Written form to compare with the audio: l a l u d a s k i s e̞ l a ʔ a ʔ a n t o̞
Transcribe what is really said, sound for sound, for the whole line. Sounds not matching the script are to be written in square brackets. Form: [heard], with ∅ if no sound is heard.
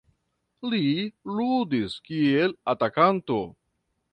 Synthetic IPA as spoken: l [i] l u d [i] s k i [∅] e̞ l a [t] a [k] a n t o̞

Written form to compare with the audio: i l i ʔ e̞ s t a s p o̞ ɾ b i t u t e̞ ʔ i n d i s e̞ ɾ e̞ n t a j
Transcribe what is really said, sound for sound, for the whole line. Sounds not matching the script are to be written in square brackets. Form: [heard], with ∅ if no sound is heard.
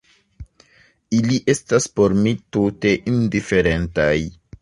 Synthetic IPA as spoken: i l i ʔ e̞ s t a s p o̞ ɾ [m] i t u t e̞ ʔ i n d i [f] e̞ ɾ e̞ n t a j

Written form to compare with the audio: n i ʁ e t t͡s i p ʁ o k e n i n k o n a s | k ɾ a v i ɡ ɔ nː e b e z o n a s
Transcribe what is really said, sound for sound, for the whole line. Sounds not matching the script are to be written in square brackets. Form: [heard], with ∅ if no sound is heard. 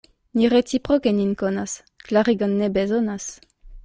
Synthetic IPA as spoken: n i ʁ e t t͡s i p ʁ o k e n i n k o n a s | k [l] a [ʁ] i ɡ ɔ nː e b e z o n a s

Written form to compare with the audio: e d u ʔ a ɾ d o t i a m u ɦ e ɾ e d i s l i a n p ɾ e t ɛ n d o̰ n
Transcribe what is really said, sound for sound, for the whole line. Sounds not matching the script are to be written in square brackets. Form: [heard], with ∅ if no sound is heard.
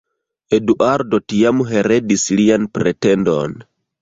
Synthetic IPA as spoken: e d u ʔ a ɾ d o t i a m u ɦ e ɾ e d i s l i a n p ɾ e t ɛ n d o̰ n

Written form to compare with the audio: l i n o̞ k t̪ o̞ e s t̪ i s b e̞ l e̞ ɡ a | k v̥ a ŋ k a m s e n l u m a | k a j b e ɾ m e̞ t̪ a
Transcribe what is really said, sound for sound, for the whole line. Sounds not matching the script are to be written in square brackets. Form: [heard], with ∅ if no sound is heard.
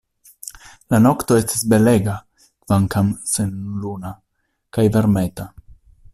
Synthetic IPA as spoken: l [a] n o̞ k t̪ o̞ e s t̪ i s b e̞ l e̞ ɡ a | k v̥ a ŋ k a m s e n l u [n] a | k a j [v] e ɾ m e̞ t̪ a

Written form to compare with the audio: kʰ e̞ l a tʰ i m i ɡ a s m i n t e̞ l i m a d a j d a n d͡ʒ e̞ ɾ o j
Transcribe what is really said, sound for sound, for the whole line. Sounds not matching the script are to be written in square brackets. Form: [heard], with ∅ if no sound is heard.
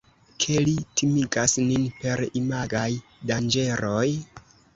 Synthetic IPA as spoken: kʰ e̞ l [i] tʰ i m i ɡ a s [n] i n [p] e̞ [ɾ] i m a [ɡ] a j d a n d͡ʒ e̞ ɾ o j

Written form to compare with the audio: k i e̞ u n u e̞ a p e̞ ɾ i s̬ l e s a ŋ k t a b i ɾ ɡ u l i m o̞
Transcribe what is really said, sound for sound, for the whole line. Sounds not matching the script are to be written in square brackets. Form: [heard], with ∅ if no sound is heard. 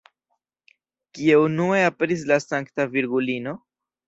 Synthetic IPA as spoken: k i e̞ u n u e̞ a p e̞ ɾ i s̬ l [a] s a ŋ k t a [v] i ɾ ɡ u l i [n] o̞

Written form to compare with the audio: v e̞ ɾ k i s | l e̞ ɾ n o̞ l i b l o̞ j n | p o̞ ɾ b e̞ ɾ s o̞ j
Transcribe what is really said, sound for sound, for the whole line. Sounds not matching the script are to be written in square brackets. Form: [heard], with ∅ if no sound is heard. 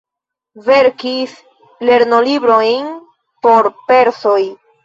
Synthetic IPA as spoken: v e̞ ɾ k i s | l e̞ ɾ n o̞ l i b [ɾ] o̞ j n | p o̞ ɾ [p] e̞ ɾ s o̞ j

